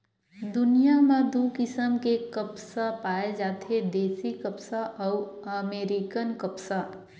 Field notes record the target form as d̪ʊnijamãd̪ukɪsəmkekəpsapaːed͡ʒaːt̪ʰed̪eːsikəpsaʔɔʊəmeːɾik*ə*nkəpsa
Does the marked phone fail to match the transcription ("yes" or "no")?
no